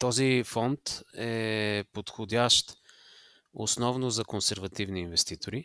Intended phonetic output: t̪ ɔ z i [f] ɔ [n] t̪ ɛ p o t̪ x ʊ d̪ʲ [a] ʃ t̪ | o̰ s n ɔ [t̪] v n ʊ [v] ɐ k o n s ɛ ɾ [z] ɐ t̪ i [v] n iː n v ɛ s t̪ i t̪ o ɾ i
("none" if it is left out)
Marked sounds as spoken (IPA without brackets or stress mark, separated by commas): f, n, a, none, z, v, v